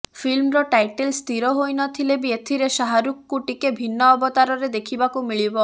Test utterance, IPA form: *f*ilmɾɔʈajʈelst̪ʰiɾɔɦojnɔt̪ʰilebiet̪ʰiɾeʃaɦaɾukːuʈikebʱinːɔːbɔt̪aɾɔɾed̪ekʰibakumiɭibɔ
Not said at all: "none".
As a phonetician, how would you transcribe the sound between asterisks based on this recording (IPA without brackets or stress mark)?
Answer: f